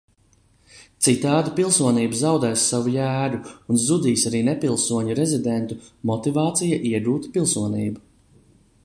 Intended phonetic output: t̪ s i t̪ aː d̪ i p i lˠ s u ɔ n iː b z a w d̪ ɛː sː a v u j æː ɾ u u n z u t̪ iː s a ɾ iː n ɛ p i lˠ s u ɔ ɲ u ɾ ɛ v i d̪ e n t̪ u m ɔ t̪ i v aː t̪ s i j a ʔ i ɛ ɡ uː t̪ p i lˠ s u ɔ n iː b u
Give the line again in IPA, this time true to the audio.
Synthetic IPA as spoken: t̪ s i t̪ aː d̪ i p i lˠ s u ɔ n iː b z a w d̪ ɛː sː a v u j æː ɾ u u n z u d̪ iː s a ɾ iː n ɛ p i lˠ s u ɔ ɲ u ɾ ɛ z i d̪ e n t̪ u m ɔ t̪ i v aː t̪ s i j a ʔ i ɛ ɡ uː t̪ p i lˠ s u ɔ n iː b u